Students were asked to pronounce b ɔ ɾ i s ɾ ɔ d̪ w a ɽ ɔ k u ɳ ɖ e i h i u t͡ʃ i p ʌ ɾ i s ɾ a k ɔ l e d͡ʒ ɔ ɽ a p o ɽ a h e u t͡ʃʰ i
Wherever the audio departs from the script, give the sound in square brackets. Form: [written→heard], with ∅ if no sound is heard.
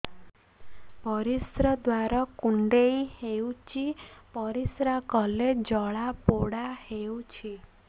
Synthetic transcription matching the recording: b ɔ ɾ i s ɾ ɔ d̪ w a [ɽ→ɾ] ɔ k u ɳ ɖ e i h [i→e] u t͡ʃ i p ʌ ɾ i s ɾ a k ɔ l e d͡ʒ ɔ [ɽ→ɭ] a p o ɽ a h e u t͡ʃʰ i